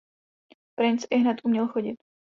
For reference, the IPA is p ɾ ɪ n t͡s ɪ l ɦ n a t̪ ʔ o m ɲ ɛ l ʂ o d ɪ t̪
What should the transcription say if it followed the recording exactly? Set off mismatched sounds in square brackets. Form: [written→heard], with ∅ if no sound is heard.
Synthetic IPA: p ɾ ɪ n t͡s ɪ [l→∅] ɦ n [a→ɛ] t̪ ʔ [o→u] m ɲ ɛ l [ʂ→x] o [d→ɟ] ɪ t̪